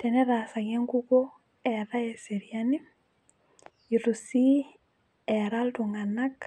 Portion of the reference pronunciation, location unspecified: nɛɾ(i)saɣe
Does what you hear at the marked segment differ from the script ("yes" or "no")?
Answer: yes